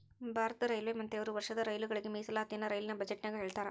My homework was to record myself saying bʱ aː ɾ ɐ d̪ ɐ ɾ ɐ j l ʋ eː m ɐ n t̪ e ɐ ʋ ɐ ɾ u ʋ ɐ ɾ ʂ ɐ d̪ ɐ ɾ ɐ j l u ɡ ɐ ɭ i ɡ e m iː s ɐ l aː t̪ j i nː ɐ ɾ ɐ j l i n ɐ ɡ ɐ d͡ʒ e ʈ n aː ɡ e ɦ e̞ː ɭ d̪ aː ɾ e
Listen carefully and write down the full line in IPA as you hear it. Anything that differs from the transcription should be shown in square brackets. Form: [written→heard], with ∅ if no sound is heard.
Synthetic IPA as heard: bʱ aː ɾ ɐ [d̪→t̪] ɐ ɾ ɐ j l ʋ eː m ɐ n t̪ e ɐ ʋ ɐ ɾ u ʋ ɐ ɾ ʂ ɐ d̪ ɐ ɾ ɐ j l u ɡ ɐ ɭ i ɡ e m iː s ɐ l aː t̪ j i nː ɐ ɾ ɐ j l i n ɐ [ɡ→b] ɐ d͡ʒ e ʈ n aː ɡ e ɦ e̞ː ɭ [d̪→t̪] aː ɾ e